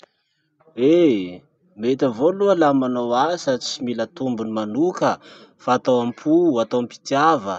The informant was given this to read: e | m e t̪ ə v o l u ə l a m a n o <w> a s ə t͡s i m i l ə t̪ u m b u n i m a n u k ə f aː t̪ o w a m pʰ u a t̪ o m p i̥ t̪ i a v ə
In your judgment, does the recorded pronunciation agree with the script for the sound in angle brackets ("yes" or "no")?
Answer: yes